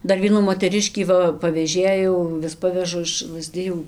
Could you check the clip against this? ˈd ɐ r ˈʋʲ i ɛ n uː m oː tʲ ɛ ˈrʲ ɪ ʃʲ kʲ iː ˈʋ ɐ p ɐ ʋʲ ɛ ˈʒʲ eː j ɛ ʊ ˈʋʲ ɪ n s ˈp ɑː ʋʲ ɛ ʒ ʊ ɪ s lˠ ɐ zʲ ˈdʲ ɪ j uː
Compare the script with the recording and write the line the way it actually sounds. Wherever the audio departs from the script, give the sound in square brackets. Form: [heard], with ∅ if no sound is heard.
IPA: ˈd ɐ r ˈʋʲ i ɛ n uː m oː tʲ ɛ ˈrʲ ɪ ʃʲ kʲ iː ˈʋ ɐ p ɐ ʋʲ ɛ ˈʒʲ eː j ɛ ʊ ˈʋʲ ɪ [∅] s ˈp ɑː ʋʲ ɛ ʒ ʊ ɪ [ʃ] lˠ ɐ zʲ ˈdʲ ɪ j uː